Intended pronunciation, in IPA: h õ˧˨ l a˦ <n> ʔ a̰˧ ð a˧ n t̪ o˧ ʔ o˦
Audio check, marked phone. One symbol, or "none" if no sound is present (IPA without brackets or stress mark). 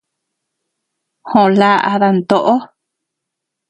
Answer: none